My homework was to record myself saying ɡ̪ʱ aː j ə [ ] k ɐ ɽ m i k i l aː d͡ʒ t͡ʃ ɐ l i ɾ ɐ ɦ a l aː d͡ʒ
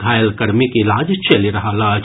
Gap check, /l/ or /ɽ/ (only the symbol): l